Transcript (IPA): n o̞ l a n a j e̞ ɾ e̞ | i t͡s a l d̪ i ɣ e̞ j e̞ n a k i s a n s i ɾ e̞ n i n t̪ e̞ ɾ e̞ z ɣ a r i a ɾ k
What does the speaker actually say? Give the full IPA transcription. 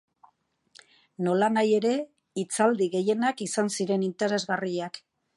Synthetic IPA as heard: n o̞ l a n a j e̞ ɾ e̞ | i t͡s a l d̪ i ɣ e̞ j e̞ n a k i s a n s i ɾ e̞ n i n t̪ e̞ ɾ e̞ z ɣ a r i a k